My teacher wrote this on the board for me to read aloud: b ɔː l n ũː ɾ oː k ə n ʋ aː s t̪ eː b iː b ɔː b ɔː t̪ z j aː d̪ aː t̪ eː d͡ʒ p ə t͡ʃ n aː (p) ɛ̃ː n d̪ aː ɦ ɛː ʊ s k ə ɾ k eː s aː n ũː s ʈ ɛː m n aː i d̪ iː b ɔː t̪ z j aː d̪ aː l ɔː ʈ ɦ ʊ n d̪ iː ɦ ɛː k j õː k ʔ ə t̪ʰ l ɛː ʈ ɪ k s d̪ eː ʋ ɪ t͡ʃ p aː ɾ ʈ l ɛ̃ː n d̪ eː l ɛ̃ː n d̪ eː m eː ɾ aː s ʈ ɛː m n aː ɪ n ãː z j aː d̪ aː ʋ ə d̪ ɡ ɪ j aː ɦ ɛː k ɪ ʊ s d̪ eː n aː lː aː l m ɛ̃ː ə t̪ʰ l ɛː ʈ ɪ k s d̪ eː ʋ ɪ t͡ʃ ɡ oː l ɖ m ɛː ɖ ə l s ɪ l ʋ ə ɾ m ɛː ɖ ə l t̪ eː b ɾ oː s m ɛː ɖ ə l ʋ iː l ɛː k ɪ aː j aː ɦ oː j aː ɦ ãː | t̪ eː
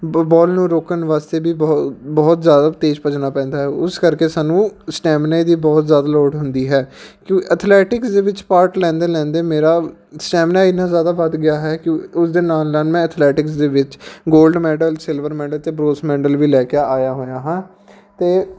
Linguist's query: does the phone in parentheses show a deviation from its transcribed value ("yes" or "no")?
no